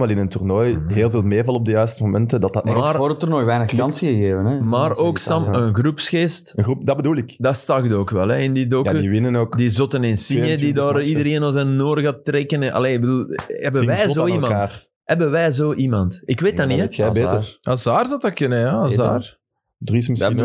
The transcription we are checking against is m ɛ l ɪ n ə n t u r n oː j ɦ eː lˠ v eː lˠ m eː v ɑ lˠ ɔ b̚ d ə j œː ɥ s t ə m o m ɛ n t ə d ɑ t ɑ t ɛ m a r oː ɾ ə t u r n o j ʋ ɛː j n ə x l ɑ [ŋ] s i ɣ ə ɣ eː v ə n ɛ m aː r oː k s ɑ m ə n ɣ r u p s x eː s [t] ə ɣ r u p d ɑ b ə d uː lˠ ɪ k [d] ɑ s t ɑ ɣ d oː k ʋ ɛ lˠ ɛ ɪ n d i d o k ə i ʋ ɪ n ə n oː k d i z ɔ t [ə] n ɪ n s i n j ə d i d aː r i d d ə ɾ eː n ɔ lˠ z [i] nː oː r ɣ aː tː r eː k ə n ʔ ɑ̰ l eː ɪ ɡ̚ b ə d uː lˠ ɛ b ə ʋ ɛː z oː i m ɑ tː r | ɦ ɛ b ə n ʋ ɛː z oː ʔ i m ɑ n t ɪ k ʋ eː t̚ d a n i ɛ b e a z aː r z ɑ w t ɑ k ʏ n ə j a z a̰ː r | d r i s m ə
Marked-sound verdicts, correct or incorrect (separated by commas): incorrect, correct, correct, correct, incorrect